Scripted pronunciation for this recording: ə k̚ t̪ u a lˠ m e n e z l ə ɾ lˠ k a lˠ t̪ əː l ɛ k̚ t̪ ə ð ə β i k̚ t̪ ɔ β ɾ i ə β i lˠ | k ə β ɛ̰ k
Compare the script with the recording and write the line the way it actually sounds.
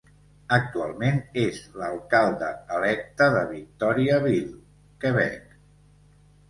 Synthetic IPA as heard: ə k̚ t̪ u a lˠ m e n e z l ə lˠ k a lˠ d̪ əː l ɛ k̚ t̪ ə ð ə β i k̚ t̪ ɔ ɾ i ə β i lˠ | k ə β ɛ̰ k